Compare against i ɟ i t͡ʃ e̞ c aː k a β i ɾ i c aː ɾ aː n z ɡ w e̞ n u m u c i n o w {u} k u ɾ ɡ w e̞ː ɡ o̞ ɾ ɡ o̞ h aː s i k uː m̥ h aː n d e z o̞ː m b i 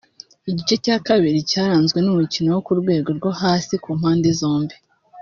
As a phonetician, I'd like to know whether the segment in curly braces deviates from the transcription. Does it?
yes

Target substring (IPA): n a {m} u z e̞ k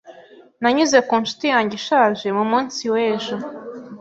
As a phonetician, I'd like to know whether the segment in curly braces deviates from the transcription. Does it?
yes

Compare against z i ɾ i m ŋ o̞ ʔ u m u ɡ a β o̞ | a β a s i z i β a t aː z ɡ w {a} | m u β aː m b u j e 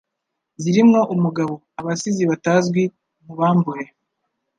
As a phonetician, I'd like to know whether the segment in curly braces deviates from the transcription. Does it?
yes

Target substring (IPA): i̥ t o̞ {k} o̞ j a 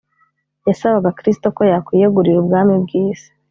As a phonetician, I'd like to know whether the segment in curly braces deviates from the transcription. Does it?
no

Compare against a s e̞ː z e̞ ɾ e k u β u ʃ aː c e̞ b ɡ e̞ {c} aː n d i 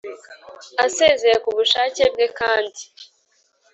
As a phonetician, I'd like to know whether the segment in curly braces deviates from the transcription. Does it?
yes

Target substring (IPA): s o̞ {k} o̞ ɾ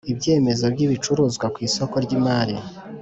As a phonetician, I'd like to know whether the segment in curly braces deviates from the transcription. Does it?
no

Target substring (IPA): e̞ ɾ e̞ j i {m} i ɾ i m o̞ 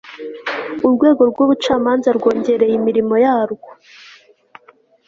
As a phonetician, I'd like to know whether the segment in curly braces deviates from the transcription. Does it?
no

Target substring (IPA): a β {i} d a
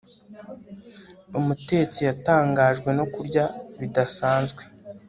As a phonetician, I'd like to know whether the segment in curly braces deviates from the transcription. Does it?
no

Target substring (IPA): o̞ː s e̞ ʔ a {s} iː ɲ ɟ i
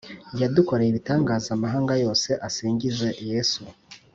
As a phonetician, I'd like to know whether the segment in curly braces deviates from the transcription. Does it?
no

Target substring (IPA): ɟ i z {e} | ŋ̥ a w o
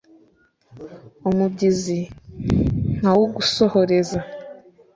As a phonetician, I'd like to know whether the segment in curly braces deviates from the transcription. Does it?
yes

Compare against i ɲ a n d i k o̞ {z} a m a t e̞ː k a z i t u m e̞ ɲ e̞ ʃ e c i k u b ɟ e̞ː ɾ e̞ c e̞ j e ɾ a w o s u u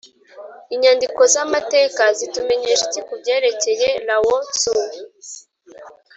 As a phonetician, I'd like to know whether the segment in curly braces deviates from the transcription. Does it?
no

